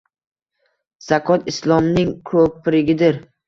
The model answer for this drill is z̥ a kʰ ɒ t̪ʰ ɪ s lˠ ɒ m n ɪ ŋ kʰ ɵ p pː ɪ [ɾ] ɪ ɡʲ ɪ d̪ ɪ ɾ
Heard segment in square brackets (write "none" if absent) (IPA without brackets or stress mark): ɾ